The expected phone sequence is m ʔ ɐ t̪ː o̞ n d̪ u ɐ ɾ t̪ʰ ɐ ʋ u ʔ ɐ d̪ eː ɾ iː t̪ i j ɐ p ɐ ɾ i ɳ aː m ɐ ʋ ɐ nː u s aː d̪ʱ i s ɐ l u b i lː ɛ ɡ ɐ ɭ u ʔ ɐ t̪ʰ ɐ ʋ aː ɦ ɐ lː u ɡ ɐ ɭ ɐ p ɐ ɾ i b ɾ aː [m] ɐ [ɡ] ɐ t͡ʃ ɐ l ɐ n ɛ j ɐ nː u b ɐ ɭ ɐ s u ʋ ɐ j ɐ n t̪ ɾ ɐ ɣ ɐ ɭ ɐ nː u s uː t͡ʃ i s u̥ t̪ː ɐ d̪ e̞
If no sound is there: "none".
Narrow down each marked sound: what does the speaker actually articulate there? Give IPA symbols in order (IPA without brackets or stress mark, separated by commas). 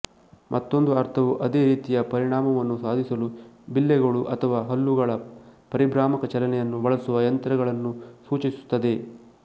m, k